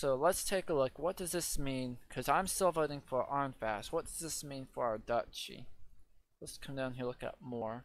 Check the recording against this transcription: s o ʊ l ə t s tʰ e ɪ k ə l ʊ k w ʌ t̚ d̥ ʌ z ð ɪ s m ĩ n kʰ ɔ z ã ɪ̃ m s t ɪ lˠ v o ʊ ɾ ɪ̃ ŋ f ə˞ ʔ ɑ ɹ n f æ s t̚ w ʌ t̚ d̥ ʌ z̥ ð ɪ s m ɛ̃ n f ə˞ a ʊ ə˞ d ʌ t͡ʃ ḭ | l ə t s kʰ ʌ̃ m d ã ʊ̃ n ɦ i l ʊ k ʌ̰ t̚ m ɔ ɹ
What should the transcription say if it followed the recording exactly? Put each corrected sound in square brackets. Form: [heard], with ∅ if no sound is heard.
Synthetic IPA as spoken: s o ʊ l ə t s tʰ e ɪ k ə l ʊ k w ʌ t̚ d̥ ʌ z ð ɪ s m ĩ n kʰ [ʌ] z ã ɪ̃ m s t ɪ lˠ v o ʊ ɾ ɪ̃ ŋ f ə˞ ʔ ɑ ɹ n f æ s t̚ w ʌ t̚ d̥ ʌ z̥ ð ɪ s m [ĩ] n f ə˞ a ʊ ə˞ d ʌ t͡ʃ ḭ | l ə t s kʰ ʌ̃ m d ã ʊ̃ n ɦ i l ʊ k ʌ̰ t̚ m ɔ ɹ